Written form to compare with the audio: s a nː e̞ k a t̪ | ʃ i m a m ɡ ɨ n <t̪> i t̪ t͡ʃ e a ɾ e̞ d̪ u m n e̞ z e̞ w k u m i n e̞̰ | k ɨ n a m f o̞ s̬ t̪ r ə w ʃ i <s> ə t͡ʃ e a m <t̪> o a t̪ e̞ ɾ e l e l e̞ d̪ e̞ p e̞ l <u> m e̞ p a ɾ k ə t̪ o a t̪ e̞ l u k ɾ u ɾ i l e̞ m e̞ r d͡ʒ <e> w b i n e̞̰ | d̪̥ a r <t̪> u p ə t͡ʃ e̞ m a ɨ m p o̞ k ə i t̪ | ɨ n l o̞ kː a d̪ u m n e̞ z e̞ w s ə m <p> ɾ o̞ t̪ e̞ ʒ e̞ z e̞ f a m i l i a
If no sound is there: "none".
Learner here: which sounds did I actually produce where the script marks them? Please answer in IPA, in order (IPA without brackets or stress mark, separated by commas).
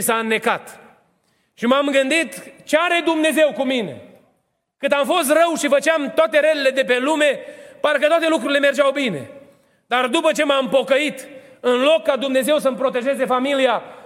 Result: d̪, f, t̪, u, a, d̪, p